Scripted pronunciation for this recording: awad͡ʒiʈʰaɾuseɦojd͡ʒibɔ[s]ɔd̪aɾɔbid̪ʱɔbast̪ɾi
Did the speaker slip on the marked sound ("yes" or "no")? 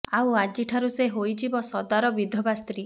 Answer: no